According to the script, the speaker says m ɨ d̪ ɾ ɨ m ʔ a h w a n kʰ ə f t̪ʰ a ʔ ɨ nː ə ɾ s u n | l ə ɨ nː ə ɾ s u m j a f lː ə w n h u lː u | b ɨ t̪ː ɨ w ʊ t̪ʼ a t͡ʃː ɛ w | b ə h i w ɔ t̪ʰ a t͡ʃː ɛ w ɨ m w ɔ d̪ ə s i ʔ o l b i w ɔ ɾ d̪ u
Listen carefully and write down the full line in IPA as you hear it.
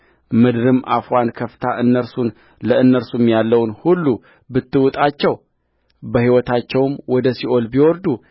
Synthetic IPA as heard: m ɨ d̪ ɾ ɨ m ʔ a f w a n kʰ ə f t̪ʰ a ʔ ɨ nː ə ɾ s u n | l ə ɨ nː ə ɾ s u m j a lː ə w n h u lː u | b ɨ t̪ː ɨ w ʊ t̪ʼ a t͡ʃː ɛ w | b ə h i w ɔ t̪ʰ a t͡ʃː ɛ w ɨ m w ɔ d̪ ə s i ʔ o l b i w ɔ ɾ d̪ u